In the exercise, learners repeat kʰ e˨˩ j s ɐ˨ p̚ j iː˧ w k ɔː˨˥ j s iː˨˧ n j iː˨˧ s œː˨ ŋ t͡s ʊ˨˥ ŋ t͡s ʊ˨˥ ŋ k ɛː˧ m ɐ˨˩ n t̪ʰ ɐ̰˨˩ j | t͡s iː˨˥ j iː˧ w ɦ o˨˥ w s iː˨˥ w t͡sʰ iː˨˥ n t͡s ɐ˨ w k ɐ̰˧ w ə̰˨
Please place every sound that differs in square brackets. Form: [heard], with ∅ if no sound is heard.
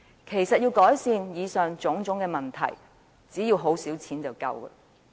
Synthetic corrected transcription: kʰ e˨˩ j s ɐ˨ [t̚] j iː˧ w k ɔː˨˥ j s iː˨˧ n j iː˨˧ s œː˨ ŋ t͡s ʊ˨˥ ŋ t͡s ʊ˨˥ ŋ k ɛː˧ m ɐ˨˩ n t̪ʰ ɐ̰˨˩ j | t͡s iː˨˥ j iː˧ w ɦ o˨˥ w s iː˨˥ w t͡sʰ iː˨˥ n t͡s ɐ˨ w k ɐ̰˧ w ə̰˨